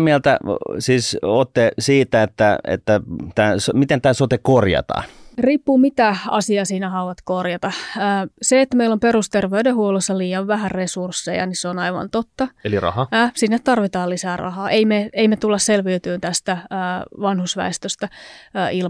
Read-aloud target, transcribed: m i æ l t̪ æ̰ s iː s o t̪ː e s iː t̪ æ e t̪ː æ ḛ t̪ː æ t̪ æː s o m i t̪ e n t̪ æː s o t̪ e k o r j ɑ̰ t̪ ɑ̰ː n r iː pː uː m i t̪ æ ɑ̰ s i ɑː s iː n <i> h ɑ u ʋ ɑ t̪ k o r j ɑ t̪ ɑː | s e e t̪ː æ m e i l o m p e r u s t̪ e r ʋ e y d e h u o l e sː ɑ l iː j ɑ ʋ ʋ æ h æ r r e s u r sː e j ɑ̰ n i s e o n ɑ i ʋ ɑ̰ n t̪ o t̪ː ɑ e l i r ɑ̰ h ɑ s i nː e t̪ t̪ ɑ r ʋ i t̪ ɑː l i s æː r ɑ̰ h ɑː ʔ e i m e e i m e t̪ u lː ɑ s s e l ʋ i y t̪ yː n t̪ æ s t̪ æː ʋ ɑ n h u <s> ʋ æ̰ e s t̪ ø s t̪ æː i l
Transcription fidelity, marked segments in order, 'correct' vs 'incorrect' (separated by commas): incorrect, correct